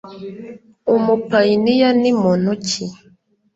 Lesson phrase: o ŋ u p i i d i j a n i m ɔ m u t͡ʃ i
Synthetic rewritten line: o m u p a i n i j a n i m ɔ n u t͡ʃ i